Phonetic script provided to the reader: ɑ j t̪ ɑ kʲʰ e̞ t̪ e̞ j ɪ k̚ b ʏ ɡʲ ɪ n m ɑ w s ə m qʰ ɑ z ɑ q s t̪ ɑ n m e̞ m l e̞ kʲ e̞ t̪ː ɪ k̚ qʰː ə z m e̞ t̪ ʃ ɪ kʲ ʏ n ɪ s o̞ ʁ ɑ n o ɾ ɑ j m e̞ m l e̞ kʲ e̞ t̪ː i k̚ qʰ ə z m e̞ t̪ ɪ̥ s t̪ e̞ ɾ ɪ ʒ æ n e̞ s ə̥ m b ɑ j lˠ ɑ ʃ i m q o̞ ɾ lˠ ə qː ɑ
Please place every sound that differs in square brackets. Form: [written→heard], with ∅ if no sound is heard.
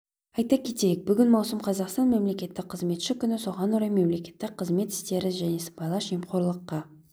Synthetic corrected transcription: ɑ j t̪ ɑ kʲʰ e̞ t̪ e̞ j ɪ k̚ b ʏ ɡʲ ɪ n m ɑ w s ə m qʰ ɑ z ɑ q s t̪ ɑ n m e̞ m l e̞ kʲ e̞ t̪ː ɪ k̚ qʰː ə z m e̞ t̪ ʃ ɪ kʲ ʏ n ɪ s o̞ ʁ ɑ n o ɾ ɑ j m e̞ m l e̞ kʲ e̞ t̪ː [i→ɪ] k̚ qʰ ə z m e̞ t̪ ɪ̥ s t̪ e̞ ɾ ɪ ʒ æ n e̞ s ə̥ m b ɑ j lˠ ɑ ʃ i m q o̞ ɾ lˠ ə qː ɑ